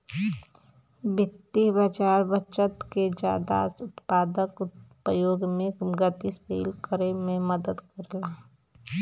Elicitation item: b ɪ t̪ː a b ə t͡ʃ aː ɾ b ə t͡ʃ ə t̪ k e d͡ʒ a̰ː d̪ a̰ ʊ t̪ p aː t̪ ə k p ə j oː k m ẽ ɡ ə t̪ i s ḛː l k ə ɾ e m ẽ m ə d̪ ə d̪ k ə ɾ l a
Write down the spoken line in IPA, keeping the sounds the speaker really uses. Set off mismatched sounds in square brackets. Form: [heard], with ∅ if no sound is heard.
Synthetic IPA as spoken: b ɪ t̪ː [i] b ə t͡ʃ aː ɾ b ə t͡ʃ ə t̪ k e d͡ʒ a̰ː d̪ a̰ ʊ t̪ p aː [d̪] ə k p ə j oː [ɡ] m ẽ ɡ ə t̪ i s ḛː l k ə ɾ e m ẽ m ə d̪ ə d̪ k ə ɾ l a